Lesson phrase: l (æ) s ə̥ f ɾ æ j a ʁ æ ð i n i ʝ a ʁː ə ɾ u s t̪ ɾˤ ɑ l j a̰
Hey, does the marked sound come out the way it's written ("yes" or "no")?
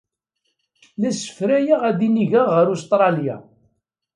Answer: yes